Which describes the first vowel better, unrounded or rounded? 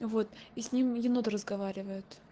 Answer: rounded